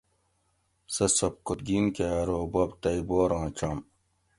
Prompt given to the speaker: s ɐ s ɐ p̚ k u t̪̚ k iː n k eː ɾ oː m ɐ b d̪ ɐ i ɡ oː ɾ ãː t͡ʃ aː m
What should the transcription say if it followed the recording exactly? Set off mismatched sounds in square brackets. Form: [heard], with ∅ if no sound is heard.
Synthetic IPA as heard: s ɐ s ɐ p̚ k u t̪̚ [ɡ] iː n k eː ɾ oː [b] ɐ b [t̪] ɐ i [b] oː ɾ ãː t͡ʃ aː m